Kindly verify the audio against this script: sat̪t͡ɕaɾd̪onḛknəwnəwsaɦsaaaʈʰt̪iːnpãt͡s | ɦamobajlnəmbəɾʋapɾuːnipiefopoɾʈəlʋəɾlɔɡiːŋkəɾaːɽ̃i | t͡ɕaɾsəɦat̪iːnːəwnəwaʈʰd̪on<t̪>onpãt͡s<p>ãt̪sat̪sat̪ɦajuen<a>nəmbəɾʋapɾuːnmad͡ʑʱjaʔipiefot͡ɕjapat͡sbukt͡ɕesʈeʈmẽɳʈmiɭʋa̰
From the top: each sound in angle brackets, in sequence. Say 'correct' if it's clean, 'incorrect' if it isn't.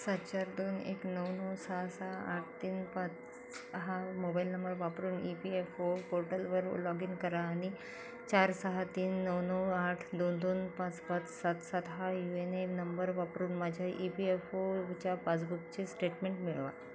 incorrect: d̪, correct, incorrect: e

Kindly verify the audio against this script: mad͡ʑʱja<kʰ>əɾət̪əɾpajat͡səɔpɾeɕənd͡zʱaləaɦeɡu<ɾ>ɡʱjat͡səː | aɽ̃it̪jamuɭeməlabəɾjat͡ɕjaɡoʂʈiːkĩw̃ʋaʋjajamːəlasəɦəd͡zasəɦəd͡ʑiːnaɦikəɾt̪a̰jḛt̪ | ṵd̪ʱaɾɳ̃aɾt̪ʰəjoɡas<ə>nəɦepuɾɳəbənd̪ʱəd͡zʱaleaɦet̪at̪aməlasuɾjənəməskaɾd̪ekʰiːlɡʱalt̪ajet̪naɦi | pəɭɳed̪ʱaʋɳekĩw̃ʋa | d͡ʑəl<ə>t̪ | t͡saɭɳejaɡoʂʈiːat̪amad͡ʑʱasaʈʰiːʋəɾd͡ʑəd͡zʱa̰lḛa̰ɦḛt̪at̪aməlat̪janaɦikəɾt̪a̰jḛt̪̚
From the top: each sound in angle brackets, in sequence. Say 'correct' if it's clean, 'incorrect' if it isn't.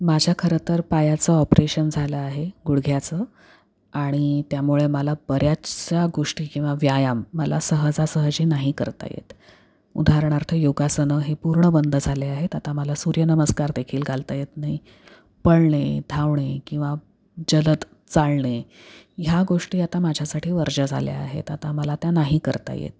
correct, incorrect: ɽ, correct, correct

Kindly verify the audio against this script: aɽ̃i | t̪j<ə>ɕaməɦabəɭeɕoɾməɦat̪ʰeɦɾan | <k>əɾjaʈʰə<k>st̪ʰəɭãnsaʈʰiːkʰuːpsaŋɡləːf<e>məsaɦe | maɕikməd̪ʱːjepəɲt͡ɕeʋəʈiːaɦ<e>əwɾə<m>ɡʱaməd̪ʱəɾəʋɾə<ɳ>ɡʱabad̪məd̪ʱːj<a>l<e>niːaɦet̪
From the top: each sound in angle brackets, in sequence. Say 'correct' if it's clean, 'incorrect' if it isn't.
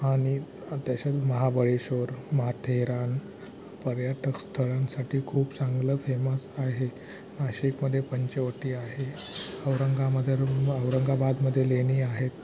incorrect: a, incorrect: p, correct, correct, correct, incorrect: ŋ, incorrect: ŋ, incorrect: e, correct

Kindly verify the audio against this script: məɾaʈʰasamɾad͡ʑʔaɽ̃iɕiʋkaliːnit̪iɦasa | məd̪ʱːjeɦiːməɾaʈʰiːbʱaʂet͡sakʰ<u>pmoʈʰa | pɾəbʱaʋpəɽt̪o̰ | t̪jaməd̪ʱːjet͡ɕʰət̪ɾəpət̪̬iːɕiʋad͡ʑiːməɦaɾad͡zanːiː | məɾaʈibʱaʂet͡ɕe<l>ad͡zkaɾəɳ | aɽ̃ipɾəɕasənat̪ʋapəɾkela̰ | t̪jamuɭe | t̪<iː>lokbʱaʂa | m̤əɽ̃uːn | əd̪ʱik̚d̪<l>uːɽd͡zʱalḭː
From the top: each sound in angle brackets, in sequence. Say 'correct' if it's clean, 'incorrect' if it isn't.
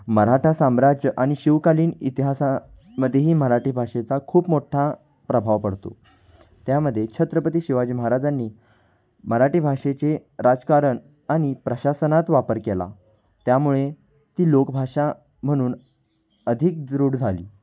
incorrect: uː, incorrect: ɾ, correct, incorrect: ɾ

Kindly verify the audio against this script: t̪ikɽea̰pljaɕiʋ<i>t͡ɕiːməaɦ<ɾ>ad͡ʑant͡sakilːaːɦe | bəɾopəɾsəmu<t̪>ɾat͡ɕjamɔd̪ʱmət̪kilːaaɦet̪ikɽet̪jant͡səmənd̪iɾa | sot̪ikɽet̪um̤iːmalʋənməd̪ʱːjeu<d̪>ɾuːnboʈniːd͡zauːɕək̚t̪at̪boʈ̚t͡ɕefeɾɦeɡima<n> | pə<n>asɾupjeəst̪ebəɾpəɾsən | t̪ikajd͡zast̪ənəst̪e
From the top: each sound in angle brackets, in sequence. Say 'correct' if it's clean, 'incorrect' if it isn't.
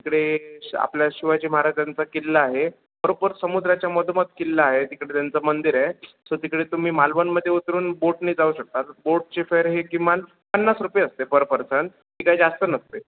incorrect: a, correct, incorrect: d̪, incorrect: t̪, correct, incorrect: nː

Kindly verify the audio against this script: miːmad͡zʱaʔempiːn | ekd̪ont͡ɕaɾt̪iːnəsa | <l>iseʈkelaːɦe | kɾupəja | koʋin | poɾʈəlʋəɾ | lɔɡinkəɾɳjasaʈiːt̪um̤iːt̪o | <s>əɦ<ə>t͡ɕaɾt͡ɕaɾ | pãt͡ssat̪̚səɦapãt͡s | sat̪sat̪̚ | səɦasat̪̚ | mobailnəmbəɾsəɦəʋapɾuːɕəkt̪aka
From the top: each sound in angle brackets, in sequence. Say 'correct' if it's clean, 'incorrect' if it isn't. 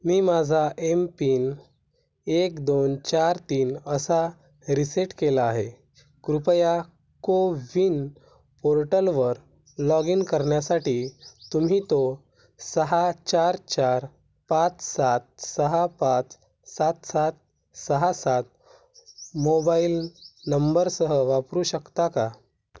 incorrect: ɾ, correct, incorrect: a

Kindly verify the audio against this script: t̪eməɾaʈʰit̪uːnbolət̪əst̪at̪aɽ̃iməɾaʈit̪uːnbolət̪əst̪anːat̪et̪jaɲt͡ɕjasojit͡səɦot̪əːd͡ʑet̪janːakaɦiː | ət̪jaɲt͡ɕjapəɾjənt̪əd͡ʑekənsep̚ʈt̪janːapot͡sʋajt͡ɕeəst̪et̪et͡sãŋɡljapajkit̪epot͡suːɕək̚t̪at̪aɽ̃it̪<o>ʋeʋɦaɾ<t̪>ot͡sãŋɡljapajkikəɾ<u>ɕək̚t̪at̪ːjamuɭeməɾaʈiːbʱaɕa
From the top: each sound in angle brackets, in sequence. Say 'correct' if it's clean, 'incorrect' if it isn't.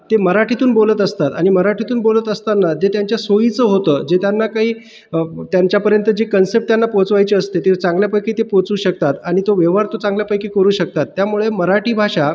correct, correct, incorrect: uː

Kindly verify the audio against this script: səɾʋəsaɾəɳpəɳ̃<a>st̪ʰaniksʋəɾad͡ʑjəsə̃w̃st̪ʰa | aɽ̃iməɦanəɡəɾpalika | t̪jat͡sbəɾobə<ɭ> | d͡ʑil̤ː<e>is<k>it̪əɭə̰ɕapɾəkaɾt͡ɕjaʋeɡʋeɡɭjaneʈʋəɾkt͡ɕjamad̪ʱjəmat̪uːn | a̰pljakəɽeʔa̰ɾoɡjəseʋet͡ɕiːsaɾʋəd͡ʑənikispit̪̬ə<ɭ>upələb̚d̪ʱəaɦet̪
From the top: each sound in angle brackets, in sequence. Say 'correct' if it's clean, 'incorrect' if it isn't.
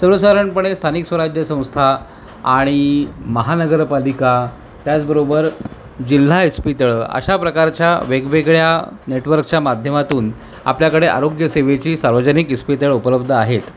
incorrect: e, incorrect: ɾ, incorrect: a, incorrect: p, correct

